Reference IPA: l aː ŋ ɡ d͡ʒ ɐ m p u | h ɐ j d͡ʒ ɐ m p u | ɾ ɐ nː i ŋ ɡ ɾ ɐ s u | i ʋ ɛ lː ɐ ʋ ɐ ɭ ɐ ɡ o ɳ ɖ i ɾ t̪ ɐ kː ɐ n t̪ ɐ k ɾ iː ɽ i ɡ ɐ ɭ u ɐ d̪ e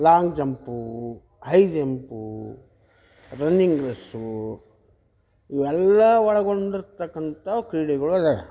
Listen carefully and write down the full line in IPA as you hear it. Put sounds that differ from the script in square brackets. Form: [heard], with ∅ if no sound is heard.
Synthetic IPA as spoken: l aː ŋ ɡ d͡ʒ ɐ m p u | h ɐ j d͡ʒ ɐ m p u | ɾ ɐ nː i ŋ ɡ ɾ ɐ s u | i ʋ ɛ lː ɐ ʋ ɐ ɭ ɐ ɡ o ɳ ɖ i ɾ t̪ ɐ kː ɐ n t̪ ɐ k ɾ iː ɽ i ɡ ɐ ɭ u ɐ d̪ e

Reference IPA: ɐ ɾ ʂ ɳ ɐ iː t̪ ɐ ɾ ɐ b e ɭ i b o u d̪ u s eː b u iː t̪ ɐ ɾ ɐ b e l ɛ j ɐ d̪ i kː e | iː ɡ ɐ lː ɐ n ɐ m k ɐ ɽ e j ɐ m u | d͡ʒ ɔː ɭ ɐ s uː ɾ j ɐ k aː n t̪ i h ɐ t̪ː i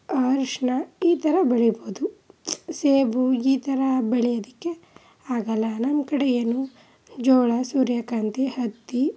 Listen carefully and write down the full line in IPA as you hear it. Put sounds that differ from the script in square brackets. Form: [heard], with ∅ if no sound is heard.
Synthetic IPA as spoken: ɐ ɾ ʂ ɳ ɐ iː t̪ ɐ ɾ ɐ b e ɭ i b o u d̪ u s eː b u iː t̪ ɐ ɾ ɐ b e [ɭ] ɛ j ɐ d̪ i kː e | [aː] ɡ ɐ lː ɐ n ɐ m k ɐ ɽ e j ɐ [n] u | d͡ʒ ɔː ɭ ɐ s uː ɾ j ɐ k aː n t̪ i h ɐ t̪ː i

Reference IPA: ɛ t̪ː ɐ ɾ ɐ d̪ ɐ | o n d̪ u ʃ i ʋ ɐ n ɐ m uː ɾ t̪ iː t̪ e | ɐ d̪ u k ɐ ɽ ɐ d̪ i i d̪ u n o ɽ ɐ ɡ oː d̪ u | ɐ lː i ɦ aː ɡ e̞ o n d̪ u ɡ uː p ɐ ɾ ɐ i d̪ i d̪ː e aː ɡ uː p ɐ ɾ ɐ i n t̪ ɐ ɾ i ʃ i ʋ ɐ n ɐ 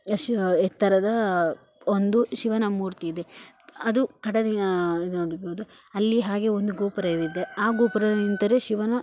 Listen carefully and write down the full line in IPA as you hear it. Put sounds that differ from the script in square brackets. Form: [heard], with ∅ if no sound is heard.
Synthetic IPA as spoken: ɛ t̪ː ɐ ɾ ɐ d̪ ɐ | o n d̪ u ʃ i ʋ ɐ n ɐ m uː ɾ t̪ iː [d̪] e | ɐ d̪ u k ɐ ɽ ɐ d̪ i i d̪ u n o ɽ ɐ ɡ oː d̪ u | ɐ lː i ɦ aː ɡ e̞ o n d̪ u ɡ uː p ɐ ɾ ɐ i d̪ i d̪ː e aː ɡ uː p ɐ ɾ ɐ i n t̪ ɐ ɾ [e] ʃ i ʋ ɐ n ɐ

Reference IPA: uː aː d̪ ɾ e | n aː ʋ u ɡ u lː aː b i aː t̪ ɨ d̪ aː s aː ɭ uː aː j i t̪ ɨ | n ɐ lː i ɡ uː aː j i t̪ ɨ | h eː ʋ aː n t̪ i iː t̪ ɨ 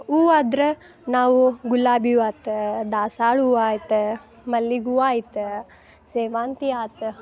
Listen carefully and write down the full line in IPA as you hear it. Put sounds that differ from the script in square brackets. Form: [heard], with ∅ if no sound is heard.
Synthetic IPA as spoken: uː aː d̪ ɾ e | n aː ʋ u ɡ u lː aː b i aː t̪ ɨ d̪ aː s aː ɭ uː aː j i t̪ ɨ | [m] ɐ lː i ɡ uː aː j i t̪ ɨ | [s] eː ʋ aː n t̪ i [aː] t̪ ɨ

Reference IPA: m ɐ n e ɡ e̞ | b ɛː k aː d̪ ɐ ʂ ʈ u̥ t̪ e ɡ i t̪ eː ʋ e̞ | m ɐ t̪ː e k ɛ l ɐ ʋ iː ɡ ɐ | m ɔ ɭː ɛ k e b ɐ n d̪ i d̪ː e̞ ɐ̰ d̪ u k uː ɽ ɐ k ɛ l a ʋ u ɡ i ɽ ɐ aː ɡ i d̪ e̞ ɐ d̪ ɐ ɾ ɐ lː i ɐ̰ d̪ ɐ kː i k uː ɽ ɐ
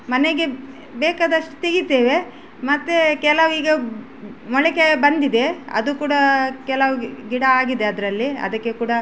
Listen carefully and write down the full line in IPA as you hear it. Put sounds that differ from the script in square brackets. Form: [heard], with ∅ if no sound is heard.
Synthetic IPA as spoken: m ɐ n e ɡ e̞ | b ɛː k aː d̪ ɐ ʂ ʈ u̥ t̪ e ɡ i t̪ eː ʋ e̞ | m ɐ t̪ː e k ɛ l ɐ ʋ iː ɡ ɐ | m ɔ [ɭ] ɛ k e b ɐ n d̪ i [d̪] e̞ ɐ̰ d̪ u k uː ɽ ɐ k ɛ l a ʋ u ɡ i ɽ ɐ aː ɡ i d̪ e̞ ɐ d̪ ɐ ɾ ɐ lː i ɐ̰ d̪ ɐ kː [e] k uː ɽ ɐ

